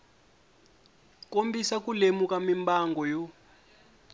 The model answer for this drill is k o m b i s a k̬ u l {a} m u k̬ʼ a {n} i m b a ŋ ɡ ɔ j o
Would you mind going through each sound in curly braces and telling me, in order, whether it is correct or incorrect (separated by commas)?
incorrect, incorrect